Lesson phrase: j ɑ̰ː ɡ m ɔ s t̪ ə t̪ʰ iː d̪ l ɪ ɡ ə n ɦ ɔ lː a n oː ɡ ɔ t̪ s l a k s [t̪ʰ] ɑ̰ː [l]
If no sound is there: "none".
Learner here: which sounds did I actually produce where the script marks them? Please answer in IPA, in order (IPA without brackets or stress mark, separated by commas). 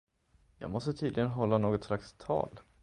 t̪ʰ, l